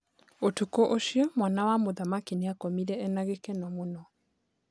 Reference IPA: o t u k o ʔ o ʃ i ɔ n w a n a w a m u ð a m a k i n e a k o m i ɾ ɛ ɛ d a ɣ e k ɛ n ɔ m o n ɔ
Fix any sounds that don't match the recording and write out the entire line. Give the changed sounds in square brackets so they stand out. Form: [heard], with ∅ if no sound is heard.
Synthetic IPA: o t u k o ʔ o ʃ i ɔ [m] w a n a w a m [o] ð a m a k i n e a k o m i ɾ ɛ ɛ [n] a ɣ e k ɛ n ɔ m o n ɔ